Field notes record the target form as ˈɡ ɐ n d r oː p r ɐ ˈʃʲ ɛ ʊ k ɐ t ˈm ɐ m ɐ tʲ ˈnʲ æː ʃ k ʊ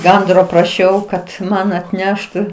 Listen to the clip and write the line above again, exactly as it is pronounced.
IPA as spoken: ˈɡ ɐ n d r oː p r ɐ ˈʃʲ ɛ ʊ k ɐ t ˈm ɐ n ɐ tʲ ˈnʲ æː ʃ t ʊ